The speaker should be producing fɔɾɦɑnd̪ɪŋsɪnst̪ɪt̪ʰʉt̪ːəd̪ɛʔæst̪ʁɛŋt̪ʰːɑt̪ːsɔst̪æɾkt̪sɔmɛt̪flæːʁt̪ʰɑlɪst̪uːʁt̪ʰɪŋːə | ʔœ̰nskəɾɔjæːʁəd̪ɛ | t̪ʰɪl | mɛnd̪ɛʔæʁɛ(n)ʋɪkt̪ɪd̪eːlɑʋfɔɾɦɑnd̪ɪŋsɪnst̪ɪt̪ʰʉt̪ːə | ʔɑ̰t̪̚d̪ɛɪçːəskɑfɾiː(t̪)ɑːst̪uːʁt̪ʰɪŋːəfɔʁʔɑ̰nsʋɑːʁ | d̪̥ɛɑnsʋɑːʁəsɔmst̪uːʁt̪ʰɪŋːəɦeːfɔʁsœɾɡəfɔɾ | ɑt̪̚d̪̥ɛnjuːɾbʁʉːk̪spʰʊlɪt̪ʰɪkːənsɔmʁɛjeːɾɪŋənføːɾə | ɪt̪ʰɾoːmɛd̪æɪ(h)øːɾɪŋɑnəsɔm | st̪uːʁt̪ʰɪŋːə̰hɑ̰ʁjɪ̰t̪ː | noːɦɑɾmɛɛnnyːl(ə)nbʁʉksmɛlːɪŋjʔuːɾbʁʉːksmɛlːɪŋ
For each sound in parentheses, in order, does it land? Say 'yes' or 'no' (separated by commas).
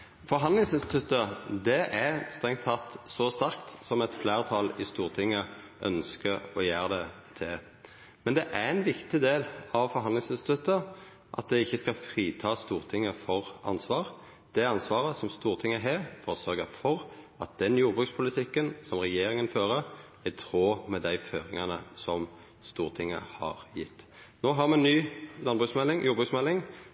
yes, no, no, no